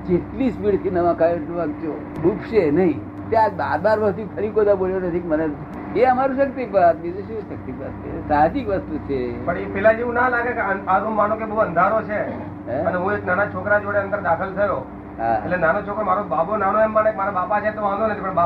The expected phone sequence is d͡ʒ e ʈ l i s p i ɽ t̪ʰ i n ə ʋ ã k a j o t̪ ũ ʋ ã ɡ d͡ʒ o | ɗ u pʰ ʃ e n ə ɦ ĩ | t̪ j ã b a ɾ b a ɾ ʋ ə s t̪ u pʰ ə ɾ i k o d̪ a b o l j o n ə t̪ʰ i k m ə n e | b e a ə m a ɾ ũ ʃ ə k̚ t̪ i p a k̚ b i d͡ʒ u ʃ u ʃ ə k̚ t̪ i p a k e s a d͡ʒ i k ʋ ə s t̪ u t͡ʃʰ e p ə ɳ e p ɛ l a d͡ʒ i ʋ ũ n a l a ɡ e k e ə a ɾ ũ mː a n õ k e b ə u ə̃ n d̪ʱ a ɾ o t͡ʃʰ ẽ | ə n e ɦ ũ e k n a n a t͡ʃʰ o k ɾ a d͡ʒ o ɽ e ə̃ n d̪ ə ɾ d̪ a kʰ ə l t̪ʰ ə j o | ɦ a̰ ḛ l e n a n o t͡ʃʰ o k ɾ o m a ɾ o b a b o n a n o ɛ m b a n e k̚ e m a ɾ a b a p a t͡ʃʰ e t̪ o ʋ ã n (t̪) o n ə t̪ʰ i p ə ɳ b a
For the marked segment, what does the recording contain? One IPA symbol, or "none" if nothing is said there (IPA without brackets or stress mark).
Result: d̪